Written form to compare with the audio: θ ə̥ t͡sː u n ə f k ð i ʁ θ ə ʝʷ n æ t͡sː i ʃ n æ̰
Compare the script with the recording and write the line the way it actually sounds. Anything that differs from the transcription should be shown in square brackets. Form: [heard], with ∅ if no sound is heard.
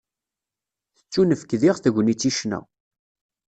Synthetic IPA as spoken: θ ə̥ t͡sː u n ə f k ð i ʁ θ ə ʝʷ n [i] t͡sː i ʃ n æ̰